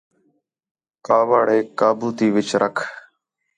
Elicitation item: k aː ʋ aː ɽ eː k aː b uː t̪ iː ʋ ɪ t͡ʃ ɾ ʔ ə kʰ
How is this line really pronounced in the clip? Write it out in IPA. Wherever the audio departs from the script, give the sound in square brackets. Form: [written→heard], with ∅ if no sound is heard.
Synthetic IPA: k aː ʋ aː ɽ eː k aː b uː t̪ iː ʋ ɪ t͡ʃ ɾ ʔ ə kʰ